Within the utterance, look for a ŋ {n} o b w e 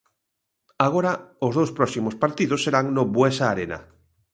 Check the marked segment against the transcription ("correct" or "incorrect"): correct